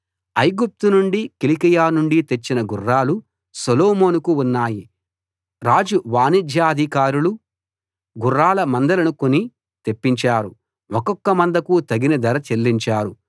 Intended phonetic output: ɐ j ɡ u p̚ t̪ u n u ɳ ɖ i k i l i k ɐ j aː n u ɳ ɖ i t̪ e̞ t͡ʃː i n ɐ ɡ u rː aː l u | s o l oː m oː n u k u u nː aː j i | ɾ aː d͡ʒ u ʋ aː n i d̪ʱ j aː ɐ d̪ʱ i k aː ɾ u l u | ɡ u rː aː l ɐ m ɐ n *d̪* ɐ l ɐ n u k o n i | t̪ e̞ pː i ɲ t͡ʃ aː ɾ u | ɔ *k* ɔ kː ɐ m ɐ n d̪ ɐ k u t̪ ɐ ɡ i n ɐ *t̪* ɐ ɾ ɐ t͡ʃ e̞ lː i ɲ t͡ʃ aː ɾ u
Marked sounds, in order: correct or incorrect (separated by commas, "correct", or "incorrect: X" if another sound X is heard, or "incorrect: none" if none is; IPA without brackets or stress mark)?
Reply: correct, correct, incorrect: d̪